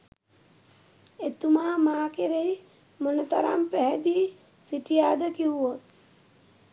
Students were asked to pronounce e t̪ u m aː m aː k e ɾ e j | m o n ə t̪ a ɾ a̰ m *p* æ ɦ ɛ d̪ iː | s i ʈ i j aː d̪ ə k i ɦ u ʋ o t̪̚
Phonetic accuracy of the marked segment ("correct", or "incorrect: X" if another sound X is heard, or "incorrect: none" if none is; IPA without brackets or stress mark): correct